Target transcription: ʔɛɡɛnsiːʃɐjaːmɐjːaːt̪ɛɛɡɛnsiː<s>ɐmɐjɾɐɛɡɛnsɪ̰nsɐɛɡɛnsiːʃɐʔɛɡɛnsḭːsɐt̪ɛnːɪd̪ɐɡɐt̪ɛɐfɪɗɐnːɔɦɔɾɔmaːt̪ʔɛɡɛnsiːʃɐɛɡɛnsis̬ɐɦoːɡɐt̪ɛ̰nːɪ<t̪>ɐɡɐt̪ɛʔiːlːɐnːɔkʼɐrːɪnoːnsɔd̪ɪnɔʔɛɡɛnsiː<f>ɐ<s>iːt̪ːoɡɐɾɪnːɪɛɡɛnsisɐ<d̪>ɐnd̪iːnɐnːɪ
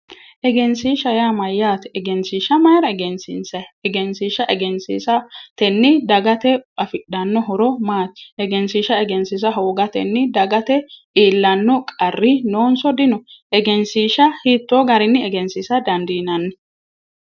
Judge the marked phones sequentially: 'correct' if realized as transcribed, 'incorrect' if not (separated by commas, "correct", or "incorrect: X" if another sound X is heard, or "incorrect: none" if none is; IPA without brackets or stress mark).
incorrect: ʃ, incorrect: d̪, incorrect: ʃ, incorrect: h, correct